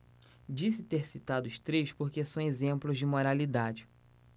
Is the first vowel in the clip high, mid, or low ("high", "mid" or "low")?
high